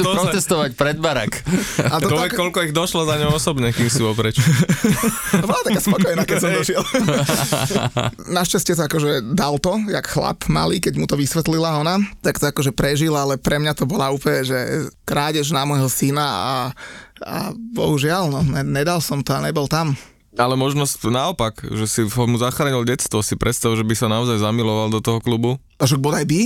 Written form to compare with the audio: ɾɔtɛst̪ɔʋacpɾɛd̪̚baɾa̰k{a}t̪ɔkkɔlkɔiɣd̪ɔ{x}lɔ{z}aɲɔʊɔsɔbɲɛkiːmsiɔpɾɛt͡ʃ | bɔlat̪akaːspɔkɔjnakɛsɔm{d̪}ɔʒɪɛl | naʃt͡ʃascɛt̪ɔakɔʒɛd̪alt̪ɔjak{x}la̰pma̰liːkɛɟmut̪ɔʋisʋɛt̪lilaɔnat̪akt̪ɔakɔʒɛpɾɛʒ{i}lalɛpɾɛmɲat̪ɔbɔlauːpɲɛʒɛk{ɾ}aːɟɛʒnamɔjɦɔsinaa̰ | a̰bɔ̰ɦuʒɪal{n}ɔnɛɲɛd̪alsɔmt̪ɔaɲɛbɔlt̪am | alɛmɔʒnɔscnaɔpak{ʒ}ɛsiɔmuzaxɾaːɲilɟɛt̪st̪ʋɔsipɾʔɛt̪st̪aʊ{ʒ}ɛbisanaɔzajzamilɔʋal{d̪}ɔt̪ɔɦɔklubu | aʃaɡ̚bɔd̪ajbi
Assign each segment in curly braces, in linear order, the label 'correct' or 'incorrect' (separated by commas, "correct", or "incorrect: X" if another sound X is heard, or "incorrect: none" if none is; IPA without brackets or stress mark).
correct, incorrect: ʃ, correct, correct, correct, correct, correct, correct, correct, correct, correct